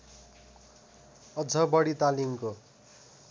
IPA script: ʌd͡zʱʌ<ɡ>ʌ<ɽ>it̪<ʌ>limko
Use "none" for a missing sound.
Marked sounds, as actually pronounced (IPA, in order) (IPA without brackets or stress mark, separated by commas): b, ɽ, a